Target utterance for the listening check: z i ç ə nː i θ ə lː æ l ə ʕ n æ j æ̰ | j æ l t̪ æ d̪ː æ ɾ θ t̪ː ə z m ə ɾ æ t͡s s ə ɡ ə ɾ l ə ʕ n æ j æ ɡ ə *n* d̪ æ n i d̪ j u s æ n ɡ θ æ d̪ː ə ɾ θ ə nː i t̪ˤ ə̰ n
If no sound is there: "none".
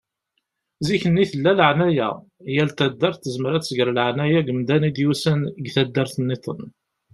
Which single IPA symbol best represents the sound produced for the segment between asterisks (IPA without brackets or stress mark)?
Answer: m